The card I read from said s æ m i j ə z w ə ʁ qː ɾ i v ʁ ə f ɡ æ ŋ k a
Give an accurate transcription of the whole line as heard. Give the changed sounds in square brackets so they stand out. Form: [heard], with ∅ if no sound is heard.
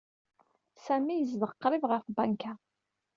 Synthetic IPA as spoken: s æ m i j ə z [v] ə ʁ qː ɾ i v ʁ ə f [b] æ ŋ k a